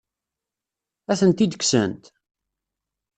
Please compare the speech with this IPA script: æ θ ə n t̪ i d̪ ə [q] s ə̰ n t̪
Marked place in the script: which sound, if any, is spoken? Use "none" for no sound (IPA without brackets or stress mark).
k